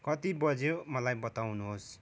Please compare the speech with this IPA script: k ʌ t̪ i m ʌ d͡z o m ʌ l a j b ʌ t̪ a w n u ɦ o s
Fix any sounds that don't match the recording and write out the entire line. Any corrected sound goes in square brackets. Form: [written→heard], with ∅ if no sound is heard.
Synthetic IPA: k ʌ t̪ i [m→b] ʌ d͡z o m ʌ l a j b ʌ t̪ a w n u ɦ o s